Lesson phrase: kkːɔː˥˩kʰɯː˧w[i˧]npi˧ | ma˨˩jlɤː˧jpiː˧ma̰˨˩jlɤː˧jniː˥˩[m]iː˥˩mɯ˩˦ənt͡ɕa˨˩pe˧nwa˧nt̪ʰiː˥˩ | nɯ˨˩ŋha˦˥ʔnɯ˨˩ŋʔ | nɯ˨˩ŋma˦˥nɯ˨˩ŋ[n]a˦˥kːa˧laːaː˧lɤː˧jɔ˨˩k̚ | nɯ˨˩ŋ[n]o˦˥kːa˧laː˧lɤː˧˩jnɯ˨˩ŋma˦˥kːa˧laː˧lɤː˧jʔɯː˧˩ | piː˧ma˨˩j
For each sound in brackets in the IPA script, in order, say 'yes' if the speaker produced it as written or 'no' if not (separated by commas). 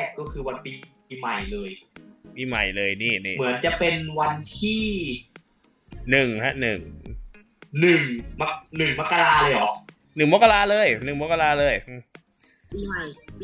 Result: no, no, no, no